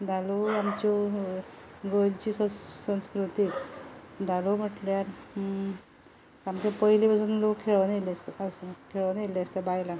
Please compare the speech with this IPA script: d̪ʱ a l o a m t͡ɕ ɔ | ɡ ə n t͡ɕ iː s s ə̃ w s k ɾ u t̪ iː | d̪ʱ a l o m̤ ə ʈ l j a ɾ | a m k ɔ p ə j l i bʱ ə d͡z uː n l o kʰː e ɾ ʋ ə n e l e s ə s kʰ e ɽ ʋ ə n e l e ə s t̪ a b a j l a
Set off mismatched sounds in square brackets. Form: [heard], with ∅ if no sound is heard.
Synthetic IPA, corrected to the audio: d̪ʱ a l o a m t͡ɕ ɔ | ɡ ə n t͡ɕ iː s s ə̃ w s k ɾ u t̪ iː | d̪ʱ a l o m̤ ə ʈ l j a ɾ | a m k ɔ p ə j l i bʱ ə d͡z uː n l o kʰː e [ɭ] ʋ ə n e l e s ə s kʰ e [ɭ] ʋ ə n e l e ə s t̪ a b a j l a